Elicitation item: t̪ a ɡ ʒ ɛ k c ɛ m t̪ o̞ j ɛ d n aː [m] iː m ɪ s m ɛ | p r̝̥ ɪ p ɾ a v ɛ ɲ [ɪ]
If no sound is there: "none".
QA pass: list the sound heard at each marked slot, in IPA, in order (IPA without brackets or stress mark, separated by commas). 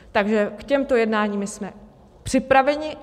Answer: ɲ, ɪ